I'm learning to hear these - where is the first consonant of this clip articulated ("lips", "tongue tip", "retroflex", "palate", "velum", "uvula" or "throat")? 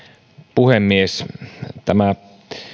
lips